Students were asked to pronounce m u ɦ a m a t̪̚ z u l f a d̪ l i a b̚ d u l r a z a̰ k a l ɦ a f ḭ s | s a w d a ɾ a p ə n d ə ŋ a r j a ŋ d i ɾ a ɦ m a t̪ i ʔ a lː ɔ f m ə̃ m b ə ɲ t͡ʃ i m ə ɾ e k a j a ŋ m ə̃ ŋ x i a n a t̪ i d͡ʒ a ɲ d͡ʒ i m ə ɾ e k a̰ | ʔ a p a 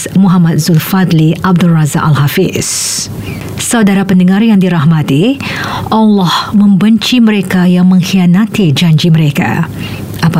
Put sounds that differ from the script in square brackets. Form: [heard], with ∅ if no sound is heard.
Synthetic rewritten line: m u ɦ a m a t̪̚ z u l f a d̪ l i a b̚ d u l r a z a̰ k a l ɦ a f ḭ s | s a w d a ɾ a p ə n d ə ŋ a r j a ŋ d i ɾ a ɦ m a t̪ i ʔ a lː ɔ [h] m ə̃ m b ə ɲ t͡ʃ i m ə ɾ e k a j a ŋ m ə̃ ŋ x i a n a t̪ i d͡ʒ a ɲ d͡ʒ i m ə ɾ e k a̰ | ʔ a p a